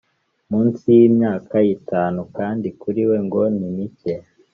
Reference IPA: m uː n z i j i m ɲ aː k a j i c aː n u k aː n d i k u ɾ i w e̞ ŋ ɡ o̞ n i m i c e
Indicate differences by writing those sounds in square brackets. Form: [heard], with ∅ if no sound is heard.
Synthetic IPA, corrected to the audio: m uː n [s] i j i m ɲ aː k a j i [t] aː n u k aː n d i k u ɾ i w e̞ ŋ ɡ o̞ n i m i c e